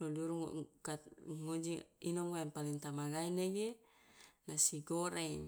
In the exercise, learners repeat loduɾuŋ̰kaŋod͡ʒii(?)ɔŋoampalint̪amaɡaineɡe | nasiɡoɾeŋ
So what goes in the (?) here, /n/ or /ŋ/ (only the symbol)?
n